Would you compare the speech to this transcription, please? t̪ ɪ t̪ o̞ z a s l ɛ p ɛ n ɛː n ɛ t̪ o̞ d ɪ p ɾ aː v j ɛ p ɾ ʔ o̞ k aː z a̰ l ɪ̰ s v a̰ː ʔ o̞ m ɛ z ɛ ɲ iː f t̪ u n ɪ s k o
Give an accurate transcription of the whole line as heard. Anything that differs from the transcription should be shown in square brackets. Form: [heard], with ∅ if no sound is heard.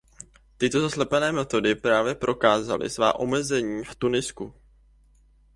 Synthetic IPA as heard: t̪ ɪ t̪ o̞ z a s l ɛ p ɛ n ɛː [m] ɛ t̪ o̞ d ɪ p ɾ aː v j ɛ p ɾ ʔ o̞ k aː z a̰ l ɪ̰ s v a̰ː ʔ o̞ m ɛ z ɛ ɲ iː f t̪ u n ɪ s k [u]